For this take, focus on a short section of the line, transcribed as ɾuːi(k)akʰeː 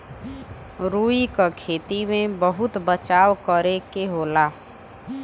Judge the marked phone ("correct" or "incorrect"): correct